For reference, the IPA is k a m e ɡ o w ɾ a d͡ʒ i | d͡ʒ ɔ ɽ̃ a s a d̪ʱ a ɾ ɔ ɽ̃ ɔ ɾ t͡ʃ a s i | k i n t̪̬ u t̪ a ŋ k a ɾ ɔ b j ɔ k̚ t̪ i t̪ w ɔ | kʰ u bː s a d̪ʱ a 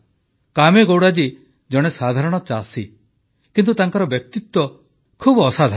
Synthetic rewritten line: k a m e ɡ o w ɽ a d͡ʒ i | d͡ʒ ɔ ɽ̃ e s a d̪ʱ a ɾ ɔ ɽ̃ ɔ t͡ʃ a s i | k i n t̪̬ u t̪ a ŋ k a ɾ ɔ b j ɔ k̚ t̪ i t̪ w ɔ | kʰ u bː s a d̪ʱ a